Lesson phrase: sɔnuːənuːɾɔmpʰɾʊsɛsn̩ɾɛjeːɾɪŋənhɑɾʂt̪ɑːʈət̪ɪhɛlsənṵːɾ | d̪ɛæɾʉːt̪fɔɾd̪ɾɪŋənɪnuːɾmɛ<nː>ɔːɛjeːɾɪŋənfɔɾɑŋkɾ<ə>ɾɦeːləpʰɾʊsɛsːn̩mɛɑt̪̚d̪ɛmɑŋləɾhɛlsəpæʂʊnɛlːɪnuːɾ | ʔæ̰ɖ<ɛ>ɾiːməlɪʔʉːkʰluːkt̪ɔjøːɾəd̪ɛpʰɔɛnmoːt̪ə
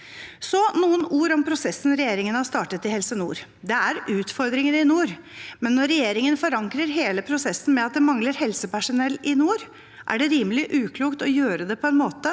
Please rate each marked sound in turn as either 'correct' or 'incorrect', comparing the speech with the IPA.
correct, correct, correct

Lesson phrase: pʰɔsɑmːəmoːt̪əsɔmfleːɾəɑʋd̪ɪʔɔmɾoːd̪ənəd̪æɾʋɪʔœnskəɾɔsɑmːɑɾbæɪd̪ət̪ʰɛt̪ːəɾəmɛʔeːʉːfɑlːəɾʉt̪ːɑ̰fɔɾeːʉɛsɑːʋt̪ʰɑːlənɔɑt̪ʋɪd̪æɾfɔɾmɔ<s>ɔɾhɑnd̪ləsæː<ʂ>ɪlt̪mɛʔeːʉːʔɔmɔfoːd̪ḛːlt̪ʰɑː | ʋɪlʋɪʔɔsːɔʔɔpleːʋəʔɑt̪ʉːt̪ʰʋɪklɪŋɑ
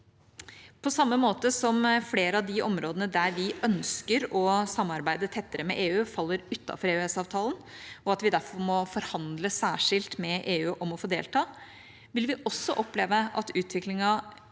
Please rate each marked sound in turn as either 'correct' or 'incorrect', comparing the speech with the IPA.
incorrect, correct

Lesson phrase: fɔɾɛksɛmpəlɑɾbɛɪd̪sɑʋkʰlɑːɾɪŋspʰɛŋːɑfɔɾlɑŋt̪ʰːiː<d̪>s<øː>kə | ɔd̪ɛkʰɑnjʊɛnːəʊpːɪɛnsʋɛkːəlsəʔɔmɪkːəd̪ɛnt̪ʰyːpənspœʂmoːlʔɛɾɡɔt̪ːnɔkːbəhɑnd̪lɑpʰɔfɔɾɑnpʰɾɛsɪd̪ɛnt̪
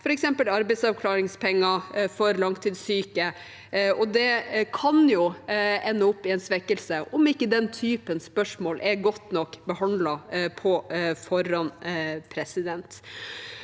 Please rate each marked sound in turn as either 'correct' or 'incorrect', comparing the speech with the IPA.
correct, incorrect

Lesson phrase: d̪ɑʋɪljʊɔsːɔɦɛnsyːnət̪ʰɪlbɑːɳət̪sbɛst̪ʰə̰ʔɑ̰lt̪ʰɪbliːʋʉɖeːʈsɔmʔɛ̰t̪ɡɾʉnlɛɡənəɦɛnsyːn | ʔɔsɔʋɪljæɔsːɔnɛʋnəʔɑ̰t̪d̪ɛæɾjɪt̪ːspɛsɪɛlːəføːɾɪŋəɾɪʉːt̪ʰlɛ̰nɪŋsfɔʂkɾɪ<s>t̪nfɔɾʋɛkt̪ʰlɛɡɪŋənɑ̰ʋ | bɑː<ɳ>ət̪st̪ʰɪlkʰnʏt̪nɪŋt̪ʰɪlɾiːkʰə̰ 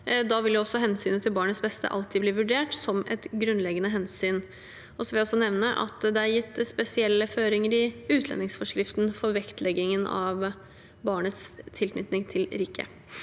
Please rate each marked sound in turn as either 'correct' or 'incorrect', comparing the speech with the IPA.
incorrect, correct

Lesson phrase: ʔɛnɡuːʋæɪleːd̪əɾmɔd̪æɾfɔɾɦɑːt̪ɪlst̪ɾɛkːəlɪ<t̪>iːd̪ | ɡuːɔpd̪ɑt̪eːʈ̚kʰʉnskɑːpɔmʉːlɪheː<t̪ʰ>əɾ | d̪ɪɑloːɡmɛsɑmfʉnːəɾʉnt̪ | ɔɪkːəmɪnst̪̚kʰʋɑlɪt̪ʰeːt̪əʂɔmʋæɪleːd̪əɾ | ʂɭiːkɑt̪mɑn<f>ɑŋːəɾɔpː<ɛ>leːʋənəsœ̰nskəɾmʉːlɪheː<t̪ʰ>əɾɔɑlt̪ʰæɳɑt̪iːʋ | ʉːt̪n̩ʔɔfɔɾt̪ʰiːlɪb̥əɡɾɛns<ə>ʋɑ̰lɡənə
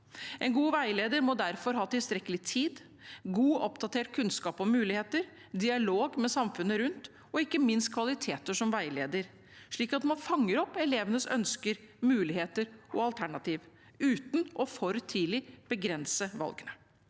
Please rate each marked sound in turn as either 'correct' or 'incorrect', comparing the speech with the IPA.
incorrect, incorrect, correct, correct, incorrect, correct

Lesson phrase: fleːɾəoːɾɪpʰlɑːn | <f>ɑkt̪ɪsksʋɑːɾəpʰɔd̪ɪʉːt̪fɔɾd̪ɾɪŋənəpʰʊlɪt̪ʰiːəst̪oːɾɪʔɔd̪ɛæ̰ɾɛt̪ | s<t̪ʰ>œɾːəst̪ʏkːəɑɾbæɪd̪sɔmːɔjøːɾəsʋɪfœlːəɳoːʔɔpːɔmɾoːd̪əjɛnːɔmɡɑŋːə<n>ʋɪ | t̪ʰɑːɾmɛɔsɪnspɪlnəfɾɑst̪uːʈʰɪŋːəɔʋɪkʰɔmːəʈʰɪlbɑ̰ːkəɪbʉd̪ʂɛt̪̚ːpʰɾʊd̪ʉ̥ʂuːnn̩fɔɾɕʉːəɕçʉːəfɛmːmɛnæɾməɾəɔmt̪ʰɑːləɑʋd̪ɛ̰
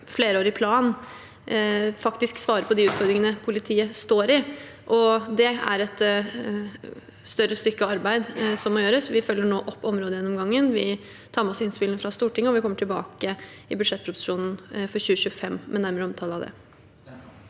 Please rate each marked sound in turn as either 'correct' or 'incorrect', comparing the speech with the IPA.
correct, incorrect, correct

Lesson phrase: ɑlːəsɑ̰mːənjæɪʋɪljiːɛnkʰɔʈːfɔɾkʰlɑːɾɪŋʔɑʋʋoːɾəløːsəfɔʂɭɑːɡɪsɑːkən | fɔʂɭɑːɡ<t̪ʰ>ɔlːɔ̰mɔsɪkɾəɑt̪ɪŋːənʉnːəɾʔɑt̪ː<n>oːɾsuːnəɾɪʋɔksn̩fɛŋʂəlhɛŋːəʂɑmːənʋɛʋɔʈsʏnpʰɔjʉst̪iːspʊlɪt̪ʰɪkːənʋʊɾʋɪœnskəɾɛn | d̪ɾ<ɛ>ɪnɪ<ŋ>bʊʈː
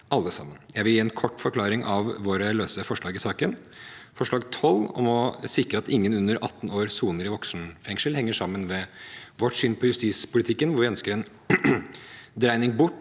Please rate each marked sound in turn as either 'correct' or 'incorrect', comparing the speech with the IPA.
correct, correct, incorrect, correct

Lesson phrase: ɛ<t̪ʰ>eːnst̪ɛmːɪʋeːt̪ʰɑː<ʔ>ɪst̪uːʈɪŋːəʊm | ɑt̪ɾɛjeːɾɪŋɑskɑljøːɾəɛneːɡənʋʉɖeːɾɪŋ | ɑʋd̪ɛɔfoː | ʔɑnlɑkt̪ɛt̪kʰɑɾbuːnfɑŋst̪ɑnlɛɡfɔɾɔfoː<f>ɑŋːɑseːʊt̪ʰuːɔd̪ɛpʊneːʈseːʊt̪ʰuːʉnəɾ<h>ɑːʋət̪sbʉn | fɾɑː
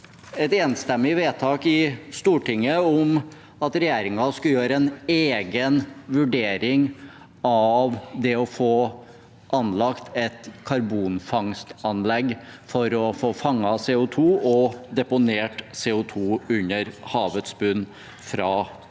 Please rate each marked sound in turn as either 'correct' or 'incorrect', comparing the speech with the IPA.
incorrect, incorrect, correct, correct

